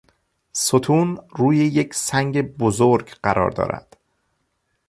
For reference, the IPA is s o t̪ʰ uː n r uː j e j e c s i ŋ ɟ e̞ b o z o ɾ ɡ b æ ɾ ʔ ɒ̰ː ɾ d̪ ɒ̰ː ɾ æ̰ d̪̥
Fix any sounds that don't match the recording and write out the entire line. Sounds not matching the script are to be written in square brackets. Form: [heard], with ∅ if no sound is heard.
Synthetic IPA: s o t̪ʰ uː n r uː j e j e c s [æ] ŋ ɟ e̞ b o z o ɾ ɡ [ɢ] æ ɾ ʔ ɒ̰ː ɾ d̪ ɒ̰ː ɾ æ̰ d̪̥